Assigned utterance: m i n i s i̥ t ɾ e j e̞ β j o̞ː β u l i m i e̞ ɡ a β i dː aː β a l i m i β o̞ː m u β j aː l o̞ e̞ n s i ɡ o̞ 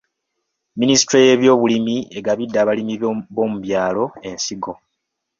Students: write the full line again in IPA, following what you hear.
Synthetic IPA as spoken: m i n i s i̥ t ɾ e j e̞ β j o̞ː β u l i m i e̞ ɡ a β i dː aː β a l i m i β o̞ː m u β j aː l o̞ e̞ n s i ɡ o̞